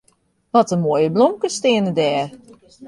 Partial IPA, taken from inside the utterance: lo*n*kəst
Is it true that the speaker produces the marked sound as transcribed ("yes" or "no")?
no